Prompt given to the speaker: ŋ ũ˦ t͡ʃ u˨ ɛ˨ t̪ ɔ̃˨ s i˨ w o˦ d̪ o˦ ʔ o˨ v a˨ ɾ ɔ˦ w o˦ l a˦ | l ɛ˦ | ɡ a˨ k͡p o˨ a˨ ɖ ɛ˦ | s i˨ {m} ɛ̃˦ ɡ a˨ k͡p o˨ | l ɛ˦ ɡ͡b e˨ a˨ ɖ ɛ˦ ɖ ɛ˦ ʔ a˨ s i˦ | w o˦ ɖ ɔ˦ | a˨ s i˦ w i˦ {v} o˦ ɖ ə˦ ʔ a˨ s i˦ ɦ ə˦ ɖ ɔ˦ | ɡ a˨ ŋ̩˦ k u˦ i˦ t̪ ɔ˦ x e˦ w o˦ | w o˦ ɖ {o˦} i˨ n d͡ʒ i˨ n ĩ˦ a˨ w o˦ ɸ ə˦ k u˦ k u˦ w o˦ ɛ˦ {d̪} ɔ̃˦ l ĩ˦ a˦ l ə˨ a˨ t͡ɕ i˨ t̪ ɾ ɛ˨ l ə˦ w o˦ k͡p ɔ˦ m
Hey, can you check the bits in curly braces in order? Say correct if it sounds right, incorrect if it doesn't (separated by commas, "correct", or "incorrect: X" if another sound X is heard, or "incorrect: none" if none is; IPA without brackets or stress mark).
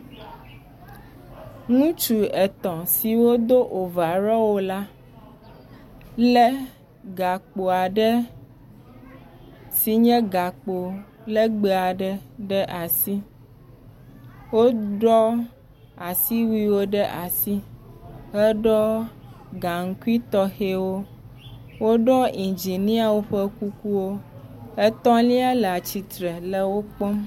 incorrect: ɲ, incorrect: w, incorrect: ɔ˦, incorrect: t̪